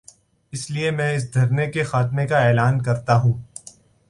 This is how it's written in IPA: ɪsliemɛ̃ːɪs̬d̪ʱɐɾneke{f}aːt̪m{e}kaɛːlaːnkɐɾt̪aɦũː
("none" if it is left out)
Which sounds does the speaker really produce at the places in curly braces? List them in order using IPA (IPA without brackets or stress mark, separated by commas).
x, e